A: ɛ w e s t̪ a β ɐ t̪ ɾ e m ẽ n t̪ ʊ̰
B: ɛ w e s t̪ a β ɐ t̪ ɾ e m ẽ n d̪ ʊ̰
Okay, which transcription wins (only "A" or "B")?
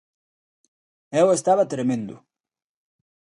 B